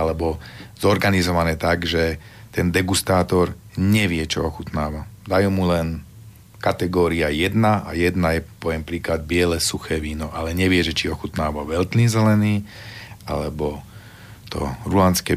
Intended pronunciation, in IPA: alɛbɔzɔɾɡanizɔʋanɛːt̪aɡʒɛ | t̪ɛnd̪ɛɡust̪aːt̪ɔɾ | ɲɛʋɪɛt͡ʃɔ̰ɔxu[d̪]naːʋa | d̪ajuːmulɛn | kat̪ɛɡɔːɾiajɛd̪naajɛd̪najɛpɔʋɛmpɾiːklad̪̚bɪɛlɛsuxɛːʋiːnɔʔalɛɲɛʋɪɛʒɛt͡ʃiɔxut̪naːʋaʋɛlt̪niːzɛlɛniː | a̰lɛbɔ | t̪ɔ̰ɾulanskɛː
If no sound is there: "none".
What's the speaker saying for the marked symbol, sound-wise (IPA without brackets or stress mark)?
t̪